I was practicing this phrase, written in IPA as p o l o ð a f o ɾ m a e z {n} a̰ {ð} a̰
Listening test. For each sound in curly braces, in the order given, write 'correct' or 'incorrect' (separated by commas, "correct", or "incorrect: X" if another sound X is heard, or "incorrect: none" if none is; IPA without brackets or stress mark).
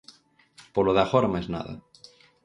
correct, correct